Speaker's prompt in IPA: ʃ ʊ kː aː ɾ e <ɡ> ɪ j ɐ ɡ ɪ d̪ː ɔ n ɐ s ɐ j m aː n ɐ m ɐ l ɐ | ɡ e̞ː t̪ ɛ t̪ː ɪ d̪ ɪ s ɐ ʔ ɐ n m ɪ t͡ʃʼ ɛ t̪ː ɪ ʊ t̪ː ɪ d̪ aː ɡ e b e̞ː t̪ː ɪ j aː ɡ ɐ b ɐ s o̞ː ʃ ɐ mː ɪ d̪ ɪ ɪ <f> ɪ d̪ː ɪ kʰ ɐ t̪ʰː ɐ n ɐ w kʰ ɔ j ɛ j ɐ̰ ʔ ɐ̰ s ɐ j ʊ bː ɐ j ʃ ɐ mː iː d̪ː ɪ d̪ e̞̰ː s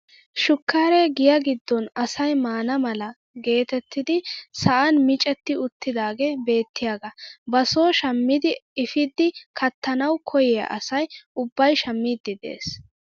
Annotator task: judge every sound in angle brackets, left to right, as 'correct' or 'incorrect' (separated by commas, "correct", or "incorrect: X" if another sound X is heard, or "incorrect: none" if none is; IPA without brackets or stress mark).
correct, correct